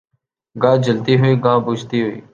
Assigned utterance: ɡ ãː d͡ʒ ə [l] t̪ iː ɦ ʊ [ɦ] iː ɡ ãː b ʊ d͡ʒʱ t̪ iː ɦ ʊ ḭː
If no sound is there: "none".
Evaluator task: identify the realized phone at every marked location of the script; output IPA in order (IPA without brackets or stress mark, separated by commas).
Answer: l, none